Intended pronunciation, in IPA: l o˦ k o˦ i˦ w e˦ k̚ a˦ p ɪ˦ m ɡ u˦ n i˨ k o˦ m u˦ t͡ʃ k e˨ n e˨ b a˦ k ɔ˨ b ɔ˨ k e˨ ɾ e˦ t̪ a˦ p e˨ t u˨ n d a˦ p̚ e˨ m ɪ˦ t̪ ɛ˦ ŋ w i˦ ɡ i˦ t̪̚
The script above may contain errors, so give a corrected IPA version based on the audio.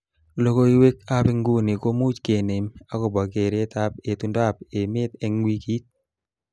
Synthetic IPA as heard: l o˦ k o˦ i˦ w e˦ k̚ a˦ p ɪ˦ ŋ ɡ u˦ n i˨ k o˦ m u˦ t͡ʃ k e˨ n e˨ m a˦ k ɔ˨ b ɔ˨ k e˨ ɾ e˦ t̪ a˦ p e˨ t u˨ n d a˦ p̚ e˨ m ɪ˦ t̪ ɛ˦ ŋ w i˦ k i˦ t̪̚

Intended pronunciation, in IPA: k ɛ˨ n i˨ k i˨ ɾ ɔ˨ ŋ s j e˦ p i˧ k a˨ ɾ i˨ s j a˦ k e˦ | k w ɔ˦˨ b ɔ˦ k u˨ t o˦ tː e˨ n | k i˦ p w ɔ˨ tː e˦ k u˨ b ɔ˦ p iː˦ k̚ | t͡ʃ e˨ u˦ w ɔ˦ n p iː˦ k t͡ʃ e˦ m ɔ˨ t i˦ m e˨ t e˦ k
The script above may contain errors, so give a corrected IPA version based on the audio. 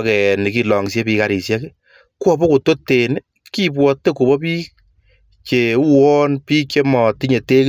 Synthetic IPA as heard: k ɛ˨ n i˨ k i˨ l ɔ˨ ŋ s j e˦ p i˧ k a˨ ɾ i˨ s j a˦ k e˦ | k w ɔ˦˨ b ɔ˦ k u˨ t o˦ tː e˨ n | k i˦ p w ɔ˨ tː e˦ k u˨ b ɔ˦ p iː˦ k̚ | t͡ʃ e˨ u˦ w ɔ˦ n p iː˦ k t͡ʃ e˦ m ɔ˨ t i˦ ɲ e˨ t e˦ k

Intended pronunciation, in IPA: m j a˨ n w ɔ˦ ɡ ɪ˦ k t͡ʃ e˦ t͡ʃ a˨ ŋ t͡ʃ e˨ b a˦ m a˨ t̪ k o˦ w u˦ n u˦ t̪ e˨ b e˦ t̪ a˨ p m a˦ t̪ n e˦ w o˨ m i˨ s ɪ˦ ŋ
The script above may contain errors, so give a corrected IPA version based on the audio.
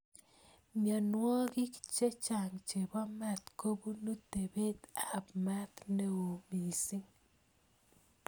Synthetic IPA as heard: m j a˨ n w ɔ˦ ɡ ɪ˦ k t͡ʃ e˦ t͡ʃ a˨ ŋ t͡ʃ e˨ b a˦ m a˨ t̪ k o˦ b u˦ n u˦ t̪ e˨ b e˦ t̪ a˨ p m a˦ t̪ n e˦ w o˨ m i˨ s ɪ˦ ŋ

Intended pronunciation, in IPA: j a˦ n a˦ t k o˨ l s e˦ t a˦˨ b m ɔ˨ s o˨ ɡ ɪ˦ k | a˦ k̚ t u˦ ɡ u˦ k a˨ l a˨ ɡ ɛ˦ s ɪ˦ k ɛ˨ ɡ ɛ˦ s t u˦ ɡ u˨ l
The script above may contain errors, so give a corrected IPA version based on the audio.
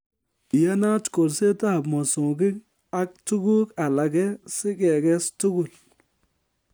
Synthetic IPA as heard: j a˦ n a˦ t k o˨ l s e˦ t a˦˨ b m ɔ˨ s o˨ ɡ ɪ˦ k | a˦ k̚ t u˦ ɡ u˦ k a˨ l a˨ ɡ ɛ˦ s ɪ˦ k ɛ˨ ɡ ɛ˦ s t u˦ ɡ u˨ l

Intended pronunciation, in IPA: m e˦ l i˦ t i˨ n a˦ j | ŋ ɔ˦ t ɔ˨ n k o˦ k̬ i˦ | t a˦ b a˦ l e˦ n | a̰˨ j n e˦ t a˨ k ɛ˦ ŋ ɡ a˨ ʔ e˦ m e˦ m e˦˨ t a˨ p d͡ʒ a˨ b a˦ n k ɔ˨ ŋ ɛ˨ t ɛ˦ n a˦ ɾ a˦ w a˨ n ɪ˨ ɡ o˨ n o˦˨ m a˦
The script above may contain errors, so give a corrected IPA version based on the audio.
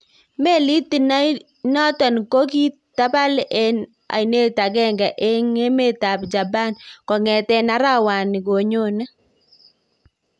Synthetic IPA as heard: m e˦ l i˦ t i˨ n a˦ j | n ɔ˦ t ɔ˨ n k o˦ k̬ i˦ | t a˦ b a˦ l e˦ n | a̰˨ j n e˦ t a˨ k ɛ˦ ŋ ɡ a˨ ʔ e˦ ŋ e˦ m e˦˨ t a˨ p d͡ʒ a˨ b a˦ n k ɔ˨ ŋ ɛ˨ t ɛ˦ n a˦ ɾ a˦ w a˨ n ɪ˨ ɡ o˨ ɲ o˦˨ n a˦

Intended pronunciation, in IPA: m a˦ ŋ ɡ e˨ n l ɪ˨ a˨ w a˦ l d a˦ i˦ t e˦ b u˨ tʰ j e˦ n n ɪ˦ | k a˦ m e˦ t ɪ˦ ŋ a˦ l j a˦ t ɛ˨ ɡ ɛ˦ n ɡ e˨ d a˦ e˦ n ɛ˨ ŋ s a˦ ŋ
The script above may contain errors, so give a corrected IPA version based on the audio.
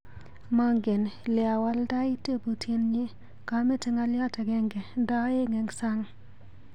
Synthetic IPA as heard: m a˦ ŋ ɡ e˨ n l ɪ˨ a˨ w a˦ l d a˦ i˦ t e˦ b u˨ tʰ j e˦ n ɲ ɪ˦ | k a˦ m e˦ t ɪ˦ ŋ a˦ l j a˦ t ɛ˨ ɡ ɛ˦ ŋ ɡ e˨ d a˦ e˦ ŋ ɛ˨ ŋ s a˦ ŋ

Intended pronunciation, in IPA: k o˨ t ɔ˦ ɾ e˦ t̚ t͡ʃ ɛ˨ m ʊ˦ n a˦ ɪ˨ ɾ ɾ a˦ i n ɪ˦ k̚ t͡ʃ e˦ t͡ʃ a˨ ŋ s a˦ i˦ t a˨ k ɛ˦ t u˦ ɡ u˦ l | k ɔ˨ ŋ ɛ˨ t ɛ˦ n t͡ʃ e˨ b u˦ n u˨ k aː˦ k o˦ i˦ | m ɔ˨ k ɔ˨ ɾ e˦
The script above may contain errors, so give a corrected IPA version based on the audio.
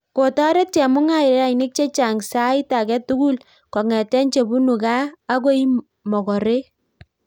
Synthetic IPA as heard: k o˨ t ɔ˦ ɾ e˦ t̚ t͡ʃ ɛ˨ m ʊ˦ ŋ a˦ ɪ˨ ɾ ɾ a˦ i n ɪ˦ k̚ t͡ʃ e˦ t͡ʃ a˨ ŋ s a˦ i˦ t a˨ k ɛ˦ t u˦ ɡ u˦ l | k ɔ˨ ŋ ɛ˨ t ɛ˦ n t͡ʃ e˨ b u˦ n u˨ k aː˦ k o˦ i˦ | m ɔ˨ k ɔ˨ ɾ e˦

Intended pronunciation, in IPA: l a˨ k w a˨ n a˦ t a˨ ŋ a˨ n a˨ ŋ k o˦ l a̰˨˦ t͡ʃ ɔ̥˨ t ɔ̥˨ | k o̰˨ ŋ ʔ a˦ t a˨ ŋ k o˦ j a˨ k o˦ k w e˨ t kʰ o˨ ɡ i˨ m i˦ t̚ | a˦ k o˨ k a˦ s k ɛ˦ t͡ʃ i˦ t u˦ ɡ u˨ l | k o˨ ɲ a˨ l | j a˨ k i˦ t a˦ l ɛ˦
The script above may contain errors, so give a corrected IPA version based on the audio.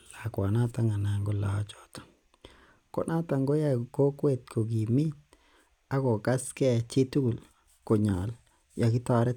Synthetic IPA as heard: l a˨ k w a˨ n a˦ t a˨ ŋ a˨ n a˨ ŋ ɡ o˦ l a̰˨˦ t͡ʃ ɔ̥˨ t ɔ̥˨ | k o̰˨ n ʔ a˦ t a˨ ŋ ɡ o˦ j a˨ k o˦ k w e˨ t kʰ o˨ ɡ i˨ m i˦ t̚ | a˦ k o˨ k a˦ s k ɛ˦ t͡ʃ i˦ t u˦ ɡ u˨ l | k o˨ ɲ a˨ l | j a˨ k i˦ t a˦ ɾ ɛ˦

